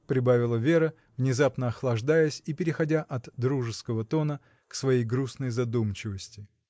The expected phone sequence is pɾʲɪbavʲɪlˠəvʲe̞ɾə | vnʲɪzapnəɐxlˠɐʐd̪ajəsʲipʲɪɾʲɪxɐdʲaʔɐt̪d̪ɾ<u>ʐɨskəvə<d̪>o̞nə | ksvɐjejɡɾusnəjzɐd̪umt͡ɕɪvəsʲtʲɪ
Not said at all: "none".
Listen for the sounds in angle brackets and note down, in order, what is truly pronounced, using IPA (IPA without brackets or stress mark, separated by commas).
u, t̪